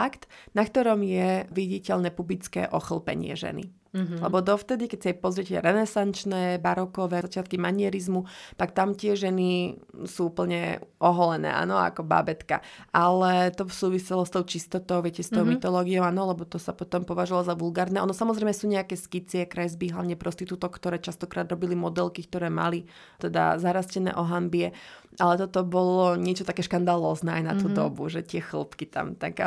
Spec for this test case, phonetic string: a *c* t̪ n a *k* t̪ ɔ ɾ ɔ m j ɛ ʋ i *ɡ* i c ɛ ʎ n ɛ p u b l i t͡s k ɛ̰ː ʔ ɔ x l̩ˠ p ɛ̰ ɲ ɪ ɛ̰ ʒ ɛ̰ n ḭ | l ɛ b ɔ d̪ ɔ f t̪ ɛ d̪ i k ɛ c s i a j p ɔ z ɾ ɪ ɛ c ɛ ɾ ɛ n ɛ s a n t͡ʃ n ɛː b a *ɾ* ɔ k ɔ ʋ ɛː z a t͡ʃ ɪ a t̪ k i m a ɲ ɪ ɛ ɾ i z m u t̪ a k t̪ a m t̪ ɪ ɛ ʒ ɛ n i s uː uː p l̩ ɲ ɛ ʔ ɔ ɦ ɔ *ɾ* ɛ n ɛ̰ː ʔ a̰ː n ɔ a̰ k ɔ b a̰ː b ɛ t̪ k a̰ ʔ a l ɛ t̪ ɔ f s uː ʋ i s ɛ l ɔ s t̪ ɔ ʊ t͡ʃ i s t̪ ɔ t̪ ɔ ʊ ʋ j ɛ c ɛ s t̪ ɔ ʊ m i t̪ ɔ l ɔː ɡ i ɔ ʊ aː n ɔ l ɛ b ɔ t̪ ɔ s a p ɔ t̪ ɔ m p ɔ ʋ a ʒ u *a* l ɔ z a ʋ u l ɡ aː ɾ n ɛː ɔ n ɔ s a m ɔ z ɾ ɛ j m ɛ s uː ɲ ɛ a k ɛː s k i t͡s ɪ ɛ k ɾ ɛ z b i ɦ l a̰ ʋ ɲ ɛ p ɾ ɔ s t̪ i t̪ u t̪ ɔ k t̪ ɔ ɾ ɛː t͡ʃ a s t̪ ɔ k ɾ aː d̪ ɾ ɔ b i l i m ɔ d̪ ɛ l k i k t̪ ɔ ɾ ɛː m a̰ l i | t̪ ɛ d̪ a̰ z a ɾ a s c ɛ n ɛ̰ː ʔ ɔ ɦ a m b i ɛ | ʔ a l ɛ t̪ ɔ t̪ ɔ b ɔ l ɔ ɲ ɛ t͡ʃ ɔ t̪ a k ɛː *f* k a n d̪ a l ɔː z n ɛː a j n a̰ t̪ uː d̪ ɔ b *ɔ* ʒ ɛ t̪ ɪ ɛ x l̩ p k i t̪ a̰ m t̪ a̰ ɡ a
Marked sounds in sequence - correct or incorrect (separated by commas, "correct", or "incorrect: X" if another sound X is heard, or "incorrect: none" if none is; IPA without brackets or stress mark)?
incorrect: k, correct, incorrect: ɟ, correct, incorrect: l, correct, incorrect: ʃ, incorrect: u